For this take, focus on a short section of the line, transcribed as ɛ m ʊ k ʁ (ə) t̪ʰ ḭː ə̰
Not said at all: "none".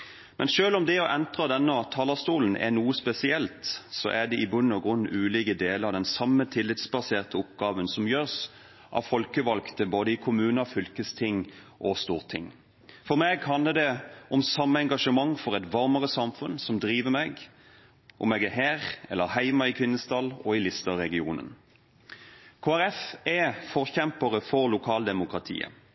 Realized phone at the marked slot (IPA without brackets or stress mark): ɑ